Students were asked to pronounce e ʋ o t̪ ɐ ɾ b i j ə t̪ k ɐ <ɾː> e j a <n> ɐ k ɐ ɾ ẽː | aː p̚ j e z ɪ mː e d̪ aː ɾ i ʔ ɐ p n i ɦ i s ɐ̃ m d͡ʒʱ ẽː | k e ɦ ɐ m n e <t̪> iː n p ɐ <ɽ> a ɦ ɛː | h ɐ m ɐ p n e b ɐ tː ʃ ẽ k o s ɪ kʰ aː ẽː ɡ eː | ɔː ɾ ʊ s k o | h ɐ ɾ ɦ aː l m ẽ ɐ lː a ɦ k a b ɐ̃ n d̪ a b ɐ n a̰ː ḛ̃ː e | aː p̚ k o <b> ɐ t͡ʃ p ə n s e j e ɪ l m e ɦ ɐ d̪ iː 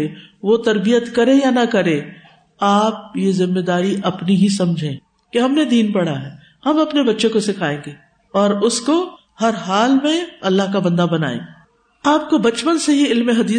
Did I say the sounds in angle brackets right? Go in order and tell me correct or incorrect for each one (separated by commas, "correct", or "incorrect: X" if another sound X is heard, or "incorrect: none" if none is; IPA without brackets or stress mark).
incorrect: ɾ, correct, incorrect: d̪, correct, correct